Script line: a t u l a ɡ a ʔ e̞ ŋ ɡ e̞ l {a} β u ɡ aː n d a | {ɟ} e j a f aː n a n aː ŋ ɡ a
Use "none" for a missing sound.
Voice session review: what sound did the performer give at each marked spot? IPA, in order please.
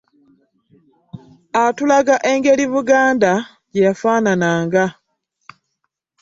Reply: i, ɟ

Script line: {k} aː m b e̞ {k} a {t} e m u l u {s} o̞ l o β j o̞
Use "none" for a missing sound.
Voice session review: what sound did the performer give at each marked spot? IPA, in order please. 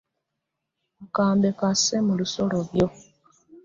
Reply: k, k, s, s

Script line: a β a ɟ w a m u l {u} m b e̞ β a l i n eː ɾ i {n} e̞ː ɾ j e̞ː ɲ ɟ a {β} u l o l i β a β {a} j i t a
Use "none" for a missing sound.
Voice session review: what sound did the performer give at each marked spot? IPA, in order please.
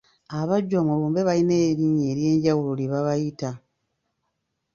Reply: uː, ɲ, w, a

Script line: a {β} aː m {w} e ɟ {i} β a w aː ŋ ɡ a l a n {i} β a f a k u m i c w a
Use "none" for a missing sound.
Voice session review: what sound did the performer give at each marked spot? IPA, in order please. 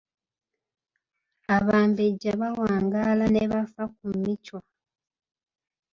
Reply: β, b, a, e

